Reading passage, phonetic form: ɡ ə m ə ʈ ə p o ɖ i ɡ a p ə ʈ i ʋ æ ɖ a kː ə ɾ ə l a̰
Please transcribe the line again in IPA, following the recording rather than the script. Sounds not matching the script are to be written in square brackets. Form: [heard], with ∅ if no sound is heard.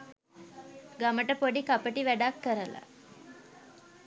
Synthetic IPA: ɡ [a] m ə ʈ ə p o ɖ i [k] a p ə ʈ i ʋ æ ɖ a kː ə ɾ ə l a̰

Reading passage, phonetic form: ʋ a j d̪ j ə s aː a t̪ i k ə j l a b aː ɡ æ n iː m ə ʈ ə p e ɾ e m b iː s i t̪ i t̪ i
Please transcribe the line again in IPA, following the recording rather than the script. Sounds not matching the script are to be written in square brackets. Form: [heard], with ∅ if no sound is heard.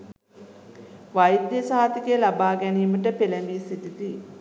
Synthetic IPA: ʋ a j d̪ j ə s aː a t̪ i k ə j l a b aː ɡ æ n iː m ə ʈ ə p e [l] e m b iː s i t̪ i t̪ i

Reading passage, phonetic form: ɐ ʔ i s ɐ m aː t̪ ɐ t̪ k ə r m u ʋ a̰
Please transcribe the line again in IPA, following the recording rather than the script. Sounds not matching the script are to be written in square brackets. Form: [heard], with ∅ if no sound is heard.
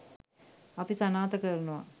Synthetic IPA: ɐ [p] i s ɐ [n] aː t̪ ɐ [∅] k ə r [n] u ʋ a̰

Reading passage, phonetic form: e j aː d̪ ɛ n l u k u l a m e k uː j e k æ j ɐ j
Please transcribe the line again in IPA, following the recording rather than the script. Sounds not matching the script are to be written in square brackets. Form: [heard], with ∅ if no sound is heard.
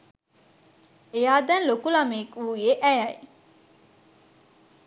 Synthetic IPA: e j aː d̪ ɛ n l [o] k u l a m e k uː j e [ʔ] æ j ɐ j

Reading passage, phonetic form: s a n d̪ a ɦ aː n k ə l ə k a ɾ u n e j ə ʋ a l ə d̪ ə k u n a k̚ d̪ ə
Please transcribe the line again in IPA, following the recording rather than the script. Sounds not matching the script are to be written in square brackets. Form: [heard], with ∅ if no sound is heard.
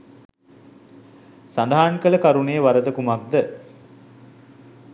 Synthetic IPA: s a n d̪ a ɦ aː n k ə l ə k a ɾ u n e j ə ʋ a [ɾ] ə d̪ ə k u [m] a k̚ d̪ ə

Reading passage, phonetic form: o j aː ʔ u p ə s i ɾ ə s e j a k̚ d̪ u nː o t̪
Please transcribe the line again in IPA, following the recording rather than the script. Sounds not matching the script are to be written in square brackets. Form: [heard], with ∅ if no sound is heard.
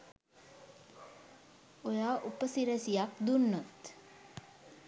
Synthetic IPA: o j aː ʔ u p ə s i ɾ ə s [i] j a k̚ d̪ u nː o t̪

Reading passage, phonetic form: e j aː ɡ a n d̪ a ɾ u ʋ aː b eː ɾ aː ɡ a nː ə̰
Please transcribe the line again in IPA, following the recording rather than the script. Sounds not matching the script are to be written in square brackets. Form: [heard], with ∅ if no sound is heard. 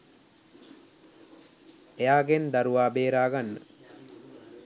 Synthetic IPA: e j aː ɡ [e] n d̪ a ɾ u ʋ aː b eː ɾ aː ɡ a nː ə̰

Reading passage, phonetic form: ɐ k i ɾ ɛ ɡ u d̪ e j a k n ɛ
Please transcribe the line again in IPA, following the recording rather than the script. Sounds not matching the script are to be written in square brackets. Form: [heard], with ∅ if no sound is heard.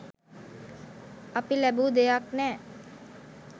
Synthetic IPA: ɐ [p] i [l] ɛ [b] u d̪ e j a k n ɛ

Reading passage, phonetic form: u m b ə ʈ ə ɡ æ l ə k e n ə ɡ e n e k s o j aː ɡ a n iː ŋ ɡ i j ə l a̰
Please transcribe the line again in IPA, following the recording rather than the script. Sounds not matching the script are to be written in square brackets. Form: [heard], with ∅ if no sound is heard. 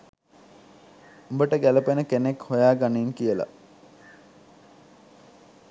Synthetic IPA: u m b ə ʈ ə ɡ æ l ə [p] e n ə [k] e n e k [h] o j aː ɡ a n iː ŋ [k] i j ə l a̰

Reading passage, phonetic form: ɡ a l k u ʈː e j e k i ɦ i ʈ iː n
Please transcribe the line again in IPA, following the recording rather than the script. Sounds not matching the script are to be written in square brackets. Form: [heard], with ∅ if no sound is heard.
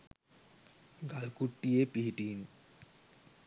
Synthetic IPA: ɡ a l k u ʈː [i] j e [p] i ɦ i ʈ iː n

